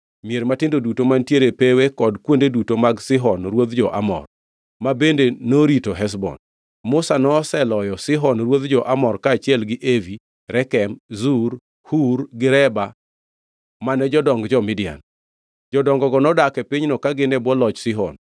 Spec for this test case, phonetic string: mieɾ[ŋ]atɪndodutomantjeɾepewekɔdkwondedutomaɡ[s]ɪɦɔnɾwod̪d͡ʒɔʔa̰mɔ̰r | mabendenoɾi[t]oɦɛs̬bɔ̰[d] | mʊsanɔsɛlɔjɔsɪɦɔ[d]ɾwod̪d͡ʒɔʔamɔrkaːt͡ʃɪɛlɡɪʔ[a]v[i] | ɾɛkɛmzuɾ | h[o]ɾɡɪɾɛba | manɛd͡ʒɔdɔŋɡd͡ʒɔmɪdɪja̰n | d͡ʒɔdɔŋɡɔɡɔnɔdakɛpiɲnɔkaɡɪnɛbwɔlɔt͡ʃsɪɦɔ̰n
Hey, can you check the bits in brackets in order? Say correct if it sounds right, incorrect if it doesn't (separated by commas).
incorrect, correct, correct, incorrect, incorrect, incorrect, correct, incorrect